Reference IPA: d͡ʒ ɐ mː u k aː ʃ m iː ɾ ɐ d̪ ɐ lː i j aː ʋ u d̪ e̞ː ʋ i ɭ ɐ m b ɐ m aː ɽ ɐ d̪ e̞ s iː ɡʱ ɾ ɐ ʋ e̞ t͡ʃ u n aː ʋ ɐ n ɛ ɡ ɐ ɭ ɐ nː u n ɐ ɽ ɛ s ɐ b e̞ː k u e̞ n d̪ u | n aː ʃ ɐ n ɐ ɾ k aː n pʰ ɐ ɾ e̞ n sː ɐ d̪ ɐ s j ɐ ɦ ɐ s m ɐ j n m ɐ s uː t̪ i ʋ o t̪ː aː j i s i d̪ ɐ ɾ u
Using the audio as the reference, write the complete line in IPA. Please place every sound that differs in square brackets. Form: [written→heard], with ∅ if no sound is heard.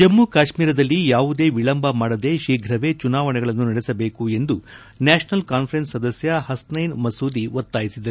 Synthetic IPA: d͡ʒ ɐ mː u k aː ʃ m iː ɾ ɐ d̪ ɐ lː i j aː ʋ u d̪ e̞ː ʋ i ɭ ɐ m b ɐ m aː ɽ ɐ d̪ e̞ [s→ʃ] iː ɡʱ ɾ ɐ ʋ e̞ t͡ʃ u n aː ʋ ɐ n ɛ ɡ ɐ ɭ ɐ nː u n ɐ ɽ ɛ s ɐ b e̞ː k u e̞ n d̪ u | n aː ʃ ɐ n ɐ [ɾ→l] k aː n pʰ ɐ ɾ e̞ n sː ɐ d̪ ɐ s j ɐ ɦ ɐ s [m→n] ɐ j n m ɐ s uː [t̪→d̪] i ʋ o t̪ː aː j i s i d̪ ɐ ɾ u